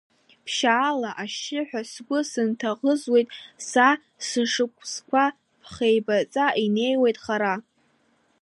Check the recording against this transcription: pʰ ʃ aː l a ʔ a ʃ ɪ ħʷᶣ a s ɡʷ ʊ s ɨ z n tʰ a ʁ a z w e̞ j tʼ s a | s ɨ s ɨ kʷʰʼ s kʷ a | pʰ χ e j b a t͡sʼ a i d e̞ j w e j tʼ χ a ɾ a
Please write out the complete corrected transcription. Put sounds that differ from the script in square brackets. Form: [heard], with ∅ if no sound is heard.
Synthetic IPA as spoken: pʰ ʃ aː l a ʔ a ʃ ɪ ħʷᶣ a s ɡʷ ʊ s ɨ [∅] n tʰ a ʁ [ə] z w e̞ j tʼ s a | s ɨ [ʂ] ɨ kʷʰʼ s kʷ a | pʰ χ e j b a t͡sʼ a i [n] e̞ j w e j tʼ χ a ɾ a